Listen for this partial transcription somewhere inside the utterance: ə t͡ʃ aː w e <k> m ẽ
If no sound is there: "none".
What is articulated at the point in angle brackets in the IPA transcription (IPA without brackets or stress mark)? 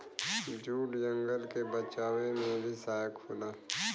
none